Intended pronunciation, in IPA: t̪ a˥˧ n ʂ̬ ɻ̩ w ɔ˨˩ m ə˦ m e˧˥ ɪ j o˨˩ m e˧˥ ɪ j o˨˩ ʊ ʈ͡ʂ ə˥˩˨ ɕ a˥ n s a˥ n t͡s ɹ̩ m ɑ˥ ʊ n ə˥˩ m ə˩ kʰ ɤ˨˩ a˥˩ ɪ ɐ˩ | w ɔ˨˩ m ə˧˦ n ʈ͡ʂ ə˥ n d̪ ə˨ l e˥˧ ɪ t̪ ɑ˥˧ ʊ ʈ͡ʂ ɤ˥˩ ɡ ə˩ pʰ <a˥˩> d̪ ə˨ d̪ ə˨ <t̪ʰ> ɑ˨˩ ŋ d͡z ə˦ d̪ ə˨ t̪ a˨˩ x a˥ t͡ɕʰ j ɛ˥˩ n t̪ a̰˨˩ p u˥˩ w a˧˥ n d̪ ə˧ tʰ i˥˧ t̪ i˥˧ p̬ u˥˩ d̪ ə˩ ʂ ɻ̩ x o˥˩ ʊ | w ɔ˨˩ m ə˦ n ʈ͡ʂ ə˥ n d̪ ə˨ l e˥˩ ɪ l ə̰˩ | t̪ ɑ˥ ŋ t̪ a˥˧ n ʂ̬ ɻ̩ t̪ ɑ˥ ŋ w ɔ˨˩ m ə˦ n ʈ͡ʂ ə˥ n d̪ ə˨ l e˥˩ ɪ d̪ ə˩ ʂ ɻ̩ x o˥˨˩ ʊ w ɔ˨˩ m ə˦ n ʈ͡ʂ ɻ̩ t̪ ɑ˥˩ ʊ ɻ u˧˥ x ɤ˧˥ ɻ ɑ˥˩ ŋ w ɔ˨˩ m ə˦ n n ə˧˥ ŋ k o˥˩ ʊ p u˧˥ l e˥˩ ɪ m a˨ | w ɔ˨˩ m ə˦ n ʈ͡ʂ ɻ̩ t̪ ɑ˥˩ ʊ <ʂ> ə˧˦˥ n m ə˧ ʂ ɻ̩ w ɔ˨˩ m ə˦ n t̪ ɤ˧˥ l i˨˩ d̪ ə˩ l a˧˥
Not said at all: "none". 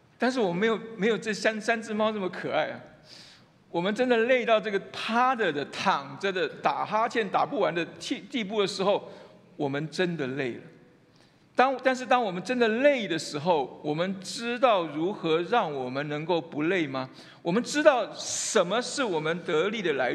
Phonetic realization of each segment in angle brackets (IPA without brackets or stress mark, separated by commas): a˥, t̪ʰ, ʂ